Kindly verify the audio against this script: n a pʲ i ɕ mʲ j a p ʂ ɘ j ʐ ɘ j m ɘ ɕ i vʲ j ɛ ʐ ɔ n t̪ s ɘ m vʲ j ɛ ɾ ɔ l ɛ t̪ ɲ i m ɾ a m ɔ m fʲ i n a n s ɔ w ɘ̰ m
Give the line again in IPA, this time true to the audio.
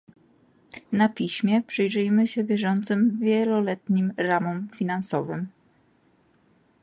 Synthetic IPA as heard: n a pʲ i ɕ mʲ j ɛ p ʂ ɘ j ʐ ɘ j m ɘ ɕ ɛ vʲ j ɛ ʐ ɔ n t̪ s ɘ m vʲ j ɛ l ɔ l ɛ t̪ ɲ i m ɾ a m ɔ m fʲ i n a n s ɔ v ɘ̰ m